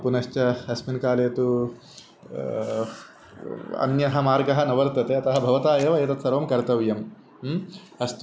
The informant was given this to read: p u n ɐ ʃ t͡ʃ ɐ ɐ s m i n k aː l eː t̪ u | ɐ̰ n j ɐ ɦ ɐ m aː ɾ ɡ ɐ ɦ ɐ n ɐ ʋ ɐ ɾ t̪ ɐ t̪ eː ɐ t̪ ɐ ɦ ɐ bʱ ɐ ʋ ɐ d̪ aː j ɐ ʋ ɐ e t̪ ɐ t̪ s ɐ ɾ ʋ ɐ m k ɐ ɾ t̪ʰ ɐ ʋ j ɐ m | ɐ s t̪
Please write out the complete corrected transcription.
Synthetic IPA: p u n ɐ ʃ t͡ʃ ɐ ɐ s m i n k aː l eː t̪ u | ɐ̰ n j ɐ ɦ ɐ m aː ɾ ɡ ɐ ɦ ɐ n ɐ ʋ ɐ ɾ t̪ ɐ t̪ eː ɐ t̪ ɐ ɦ ɐ bʱ ɐ ʋ ɐ t̪ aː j ɐ ʋ ɐ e t̪ ɐ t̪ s ɐ ɾ ʋ ɐ m k ɐ ɾ t̪ ɐ ʋ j ɐ m | ɐ s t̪